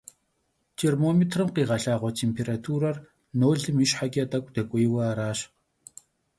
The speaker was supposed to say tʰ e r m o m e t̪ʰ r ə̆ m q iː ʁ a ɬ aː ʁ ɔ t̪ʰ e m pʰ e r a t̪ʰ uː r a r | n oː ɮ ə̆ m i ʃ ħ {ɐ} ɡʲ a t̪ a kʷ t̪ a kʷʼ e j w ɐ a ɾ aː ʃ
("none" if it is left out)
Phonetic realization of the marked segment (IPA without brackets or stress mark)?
a